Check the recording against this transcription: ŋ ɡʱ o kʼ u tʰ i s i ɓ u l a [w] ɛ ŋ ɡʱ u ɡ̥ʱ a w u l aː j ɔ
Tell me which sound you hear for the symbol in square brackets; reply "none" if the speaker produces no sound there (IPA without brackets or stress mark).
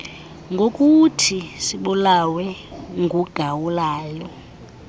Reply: w